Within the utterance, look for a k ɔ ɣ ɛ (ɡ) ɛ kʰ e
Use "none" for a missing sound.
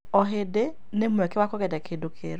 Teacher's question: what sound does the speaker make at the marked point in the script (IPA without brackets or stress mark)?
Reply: d